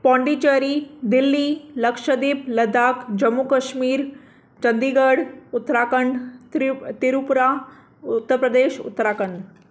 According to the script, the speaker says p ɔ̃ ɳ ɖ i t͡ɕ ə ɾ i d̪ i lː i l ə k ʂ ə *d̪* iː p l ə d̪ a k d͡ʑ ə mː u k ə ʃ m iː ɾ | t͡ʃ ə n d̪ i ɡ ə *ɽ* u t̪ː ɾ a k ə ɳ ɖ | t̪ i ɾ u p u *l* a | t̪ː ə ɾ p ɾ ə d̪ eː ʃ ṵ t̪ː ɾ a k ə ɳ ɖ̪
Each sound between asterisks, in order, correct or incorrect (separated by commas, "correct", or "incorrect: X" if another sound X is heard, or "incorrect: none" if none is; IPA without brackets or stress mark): correct, correct, incorrect: ɾ